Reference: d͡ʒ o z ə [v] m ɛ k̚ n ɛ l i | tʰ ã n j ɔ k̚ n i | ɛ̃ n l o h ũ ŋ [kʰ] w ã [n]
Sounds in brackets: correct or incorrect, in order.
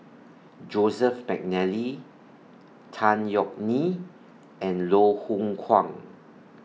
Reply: incorrect: f, correct, incorrect: ŋ

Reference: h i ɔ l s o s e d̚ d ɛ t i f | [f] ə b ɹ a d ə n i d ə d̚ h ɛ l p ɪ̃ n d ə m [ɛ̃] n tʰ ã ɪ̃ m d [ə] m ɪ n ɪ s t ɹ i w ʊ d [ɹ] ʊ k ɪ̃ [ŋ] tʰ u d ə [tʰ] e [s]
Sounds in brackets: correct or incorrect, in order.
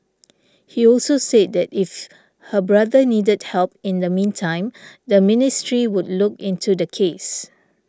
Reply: incorrect: h, incorrect: ĩ, correct, incorrect: l, incorrect: n, incorrect: kʰ, correct

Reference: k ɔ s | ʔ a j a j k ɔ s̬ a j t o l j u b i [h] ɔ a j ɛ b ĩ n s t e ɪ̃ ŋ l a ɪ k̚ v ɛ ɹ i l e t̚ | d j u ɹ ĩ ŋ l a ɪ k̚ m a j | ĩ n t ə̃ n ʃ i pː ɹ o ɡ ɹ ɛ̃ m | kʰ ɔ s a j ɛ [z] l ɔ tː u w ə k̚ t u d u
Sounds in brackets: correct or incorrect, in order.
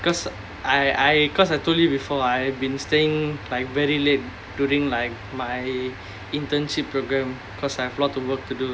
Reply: incorrect: f, incorrect: v

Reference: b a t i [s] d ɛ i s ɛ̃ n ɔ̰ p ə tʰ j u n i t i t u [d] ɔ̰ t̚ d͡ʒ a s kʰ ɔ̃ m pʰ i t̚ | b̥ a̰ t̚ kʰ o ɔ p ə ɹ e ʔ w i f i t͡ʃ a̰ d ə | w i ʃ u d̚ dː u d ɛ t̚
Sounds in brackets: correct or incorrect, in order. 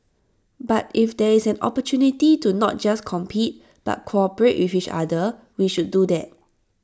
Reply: incorrect: f, incorrect: n

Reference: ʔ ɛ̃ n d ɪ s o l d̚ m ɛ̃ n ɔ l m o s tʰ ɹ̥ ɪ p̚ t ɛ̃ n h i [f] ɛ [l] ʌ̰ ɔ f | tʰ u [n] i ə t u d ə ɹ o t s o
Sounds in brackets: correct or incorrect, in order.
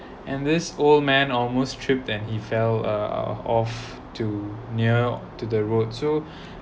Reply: correct, correct, correct

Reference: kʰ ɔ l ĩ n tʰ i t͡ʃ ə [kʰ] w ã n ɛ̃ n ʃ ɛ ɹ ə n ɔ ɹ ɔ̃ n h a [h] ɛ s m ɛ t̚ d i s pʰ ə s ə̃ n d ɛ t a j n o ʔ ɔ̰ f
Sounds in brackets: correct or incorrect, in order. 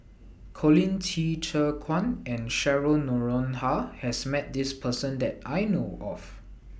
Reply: correct, correct

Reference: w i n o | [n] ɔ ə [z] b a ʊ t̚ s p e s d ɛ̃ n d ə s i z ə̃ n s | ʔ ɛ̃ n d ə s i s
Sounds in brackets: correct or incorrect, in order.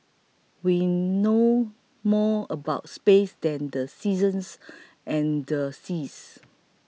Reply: incorrect: m, incorrect: none

